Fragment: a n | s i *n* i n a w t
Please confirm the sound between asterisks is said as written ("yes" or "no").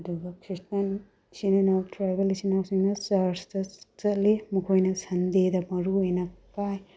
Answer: yes